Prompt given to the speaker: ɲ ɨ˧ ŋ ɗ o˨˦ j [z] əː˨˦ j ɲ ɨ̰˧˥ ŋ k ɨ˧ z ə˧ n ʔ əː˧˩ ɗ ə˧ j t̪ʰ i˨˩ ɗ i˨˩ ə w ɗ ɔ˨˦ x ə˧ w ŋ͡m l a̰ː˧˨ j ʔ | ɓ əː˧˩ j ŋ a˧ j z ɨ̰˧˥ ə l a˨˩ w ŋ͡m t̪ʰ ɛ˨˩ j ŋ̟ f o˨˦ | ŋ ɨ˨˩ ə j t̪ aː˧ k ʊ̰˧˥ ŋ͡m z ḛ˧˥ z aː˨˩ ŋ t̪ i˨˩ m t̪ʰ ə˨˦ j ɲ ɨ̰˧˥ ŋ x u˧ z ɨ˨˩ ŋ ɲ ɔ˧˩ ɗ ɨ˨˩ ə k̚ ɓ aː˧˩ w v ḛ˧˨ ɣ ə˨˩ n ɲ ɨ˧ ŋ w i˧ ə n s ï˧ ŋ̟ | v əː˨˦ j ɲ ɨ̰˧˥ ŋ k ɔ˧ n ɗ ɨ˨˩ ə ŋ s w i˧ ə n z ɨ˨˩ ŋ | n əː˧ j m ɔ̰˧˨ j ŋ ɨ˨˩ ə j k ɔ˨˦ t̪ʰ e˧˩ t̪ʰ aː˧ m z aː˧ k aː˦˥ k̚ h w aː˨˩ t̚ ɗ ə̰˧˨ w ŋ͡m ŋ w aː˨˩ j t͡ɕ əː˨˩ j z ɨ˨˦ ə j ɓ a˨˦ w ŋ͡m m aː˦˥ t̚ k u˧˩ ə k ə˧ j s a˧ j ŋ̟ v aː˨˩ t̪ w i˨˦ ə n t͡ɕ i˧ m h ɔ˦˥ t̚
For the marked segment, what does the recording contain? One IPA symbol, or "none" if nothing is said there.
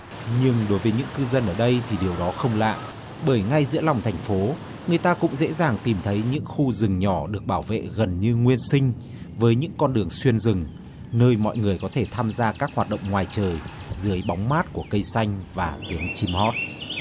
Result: v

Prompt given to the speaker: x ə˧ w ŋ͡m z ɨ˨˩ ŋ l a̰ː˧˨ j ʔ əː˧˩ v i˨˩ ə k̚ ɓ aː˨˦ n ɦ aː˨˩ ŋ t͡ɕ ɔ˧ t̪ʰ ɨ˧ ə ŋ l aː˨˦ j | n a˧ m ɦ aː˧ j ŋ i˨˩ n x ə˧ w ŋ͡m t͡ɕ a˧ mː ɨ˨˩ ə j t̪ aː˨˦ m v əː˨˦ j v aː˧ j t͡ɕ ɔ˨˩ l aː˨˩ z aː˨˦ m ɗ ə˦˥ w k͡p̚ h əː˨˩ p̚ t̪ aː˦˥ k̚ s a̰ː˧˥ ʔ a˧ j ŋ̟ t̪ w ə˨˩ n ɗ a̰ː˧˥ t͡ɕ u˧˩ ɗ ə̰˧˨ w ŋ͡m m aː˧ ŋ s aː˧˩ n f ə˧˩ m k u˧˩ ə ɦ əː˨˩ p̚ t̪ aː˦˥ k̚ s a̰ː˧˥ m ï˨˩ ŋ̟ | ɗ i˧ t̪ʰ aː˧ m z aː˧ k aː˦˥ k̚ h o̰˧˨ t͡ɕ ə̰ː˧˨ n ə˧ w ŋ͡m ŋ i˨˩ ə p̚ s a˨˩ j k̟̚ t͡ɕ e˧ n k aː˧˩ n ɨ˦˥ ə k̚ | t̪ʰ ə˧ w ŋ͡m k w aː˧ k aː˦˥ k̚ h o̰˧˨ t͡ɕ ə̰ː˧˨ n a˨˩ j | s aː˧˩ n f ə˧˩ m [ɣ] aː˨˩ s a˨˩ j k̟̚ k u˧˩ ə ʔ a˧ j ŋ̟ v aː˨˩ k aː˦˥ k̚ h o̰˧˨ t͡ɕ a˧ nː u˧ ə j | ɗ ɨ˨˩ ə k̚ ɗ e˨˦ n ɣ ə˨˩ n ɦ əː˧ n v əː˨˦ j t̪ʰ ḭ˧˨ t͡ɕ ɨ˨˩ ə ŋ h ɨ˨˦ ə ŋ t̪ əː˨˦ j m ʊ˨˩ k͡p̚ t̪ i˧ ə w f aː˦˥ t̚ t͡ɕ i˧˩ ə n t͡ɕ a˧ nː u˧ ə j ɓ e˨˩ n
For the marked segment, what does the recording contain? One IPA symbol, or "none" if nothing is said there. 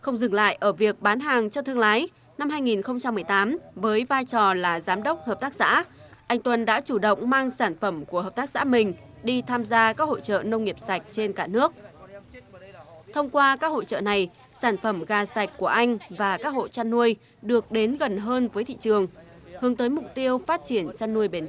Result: ɣ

